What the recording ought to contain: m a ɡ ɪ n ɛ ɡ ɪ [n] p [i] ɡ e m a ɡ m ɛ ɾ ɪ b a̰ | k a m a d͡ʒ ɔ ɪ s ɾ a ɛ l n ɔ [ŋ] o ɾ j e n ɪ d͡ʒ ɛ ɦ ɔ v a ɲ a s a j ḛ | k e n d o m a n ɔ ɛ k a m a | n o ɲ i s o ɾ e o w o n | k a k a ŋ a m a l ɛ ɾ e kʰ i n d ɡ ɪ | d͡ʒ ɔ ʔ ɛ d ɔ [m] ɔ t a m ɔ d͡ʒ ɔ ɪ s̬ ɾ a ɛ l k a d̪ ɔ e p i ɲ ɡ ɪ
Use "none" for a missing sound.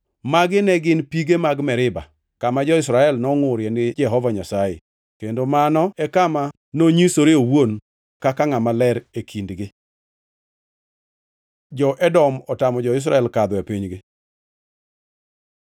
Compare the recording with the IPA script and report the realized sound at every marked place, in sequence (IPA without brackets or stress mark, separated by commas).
n, i, ŋ, m